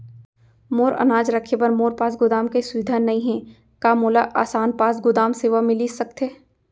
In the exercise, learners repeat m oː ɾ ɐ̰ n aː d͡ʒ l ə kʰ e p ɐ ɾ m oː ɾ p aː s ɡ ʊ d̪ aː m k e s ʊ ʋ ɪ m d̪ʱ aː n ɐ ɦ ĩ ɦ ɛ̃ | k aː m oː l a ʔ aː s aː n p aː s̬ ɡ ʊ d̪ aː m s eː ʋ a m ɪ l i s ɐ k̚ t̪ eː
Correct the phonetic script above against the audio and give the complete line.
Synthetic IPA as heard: m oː ɾ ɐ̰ n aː d͡ʒ ɾ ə kʰ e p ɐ ɾ m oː ɾ p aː s ɡ ʊ d̪ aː m k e s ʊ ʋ ɪ d̪ʱ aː n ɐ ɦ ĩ ɦ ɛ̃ | k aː m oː l a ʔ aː s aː n p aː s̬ ɡ ʊ d̪ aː m s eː ʋ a m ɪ l i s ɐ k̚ t̪ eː